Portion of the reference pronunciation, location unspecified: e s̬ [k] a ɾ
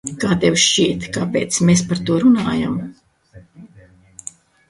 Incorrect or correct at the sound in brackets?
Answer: incorrect: p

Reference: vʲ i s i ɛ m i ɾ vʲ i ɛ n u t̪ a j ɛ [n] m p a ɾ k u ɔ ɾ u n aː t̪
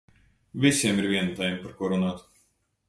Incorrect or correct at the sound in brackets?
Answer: incorrect: none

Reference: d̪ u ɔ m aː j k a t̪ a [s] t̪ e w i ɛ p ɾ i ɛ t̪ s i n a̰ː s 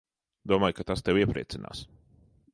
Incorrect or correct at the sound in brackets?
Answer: correct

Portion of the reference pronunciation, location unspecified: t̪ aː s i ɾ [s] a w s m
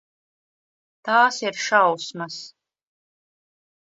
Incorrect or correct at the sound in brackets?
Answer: incorrect: ʃ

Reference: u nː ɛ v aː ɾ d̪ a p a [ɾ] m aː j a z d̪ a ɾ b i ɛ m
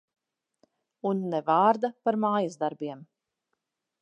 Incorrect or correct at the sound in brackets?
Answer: correct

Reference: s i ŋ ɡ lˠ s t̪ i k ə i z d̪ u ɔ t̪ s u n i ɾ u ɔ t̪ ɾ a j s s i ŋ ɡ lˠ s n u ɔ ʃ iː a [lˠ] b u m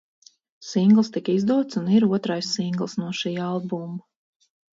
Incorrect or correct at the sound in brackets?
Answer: correct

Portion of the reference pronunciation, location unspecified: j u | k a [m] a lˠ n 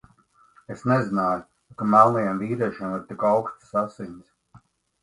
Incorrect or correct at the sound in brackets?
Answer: correct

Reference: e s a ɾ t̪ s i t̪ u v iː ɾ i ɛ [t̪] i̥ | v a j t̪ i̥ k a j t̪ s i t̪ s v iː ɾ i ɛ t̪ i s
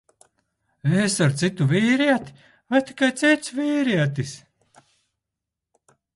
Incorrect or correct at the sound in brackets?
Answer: correct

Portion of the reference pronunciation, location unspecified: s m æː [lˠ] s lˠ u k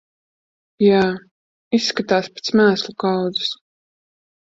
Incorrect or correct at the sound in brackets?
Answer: incorrect: none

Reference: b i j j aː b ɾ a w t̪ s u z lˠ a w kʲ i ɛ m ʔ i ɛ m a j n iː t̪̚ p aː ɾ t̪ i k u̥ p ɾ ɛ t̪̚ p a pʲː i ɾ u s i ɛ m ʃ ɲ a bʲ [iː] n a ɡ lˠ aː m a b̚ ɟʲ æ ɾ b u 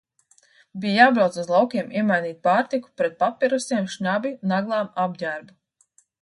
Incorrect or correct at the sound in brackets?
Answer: incorrect: i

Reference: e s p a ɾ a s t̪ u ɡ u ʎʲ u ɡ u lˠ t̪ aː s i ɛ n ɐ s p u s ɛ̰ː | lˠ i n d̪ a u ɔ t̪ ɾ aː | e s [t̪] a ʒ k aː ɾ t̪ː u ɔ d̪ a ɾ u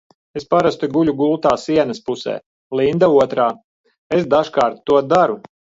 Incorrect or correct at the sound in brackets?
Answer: incorrect: d̪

